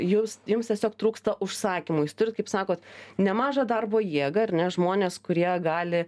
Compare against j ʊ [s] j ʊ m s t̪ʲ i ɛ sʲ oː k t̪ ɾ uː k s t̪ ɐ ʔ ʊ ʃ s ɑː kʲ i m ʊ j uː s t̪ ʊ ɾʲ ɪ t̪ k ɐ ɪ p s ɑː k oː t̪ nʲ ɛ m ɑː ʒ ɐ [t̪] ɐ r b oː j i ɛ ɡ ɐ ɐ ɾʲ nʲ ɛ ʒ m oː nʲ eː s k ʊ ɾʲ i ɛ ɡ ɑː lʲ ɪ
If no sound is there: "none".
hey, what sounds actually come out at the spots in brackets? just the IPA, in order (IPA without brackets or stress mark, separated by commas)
s, d̪